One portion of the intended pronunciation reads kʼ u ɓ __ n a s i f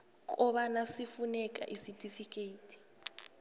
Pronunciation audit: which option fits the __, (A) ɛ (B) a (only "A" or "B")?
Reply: B